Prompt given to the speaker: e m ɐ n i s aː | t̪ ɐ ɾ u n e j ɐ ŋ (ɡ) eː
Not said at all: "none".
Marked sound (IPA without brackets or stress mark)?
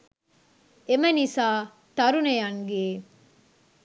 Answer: ɡ